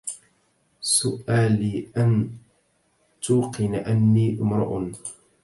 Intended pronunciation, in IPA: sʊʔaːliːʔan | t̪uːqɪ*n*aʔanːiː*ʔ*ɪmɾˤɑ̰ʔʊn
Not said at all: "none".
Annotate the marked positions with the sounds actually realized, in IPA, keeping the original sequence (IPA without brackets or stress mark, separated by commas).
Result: n, ʔ